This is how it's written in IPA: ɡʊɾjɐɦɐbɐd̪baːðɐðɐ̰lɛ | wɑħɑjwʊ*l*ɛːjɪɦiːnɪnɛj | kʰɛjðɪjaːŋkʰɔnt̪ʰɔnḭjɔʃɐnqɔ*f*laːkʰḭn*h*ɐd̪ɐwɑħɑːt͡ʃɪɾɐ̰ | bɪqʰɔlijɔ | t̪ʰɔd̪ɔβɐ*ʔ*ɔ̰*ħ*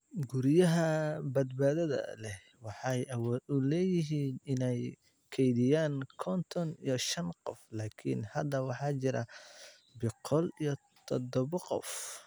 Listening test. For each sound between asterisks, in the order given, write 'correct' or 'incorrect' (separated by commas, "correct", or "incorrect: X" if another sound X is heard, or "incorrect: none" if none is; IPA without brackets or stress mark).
correct, correct, correct, incorrect: q, incorrect: f